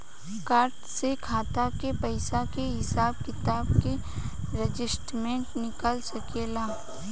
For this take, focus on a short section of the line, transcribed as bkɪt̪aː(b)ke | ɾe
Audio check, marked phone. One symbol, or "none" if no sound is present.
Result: b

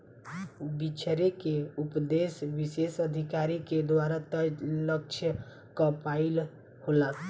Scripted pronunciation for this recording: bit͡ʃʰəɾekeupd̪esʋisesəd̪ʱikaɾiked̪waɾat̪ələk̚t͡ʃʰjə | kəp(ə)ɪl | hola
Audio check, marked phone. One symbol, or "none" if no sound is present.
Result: a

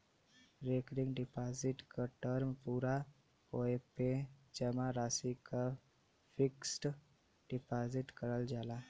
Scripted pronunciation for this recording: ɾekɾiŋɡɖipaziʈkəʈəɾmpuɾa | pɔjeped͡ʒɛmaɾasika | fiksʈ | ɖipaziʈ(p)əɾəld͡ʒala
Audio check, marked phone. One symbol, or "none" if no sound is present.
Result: k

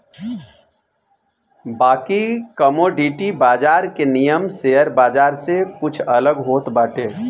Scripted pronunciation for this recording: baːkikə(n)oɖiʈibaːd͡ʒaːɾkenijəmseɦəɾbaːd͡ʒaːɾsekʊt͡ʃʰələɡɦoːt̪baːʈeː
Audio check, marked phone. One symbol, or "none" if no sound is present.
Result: m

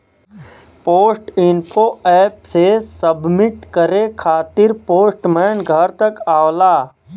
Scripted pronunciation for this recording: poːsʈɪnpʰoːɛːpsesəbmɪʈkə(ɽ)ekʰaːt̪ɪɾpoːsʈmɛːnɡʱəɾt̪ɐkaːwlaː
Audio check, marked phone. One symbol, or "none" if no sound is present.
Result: ɾ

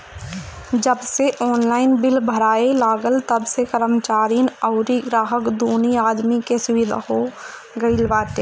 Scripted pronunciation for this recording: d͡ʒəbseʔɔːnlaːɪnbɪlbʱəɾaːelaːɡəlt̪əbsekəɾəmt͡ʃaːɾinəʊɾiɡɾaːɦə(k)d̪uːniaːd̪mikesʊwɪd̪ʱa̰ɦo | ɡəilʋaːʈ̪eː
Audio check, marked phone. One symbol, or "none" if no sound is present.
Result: k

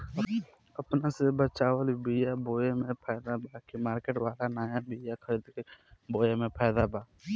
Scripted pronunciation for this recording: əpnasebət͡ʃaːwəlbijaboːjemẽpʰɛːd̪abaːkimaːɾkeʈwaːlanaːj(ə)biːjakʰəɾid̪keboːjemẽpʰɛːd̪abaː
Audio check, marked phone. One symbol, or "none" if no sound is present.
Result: a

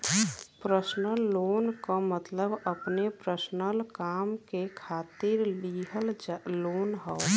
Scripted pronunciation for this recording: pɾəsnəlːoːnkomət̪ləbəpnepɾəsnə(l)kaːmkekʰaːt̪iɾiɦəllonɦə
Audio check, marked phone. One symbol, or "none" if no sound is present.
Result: l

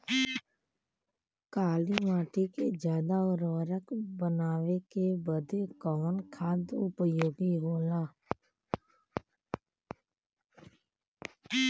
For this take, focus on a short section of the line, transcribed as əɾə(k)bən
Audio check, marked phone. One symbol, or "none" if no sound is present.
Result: k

